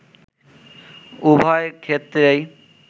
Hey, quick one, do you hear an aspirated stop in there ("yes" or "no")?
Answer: yes